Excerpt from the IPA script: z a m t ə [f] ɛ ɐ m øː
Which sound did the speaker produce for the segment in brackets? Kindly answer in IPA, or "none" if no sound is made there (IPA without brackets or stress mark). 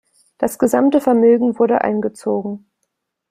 f